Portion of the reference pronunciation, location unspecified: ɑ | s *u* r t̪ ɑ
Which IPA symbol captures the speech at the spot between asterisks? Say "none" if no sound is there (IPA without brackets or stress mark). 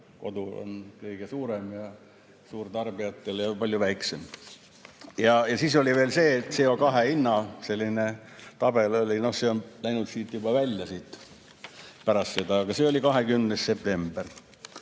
uː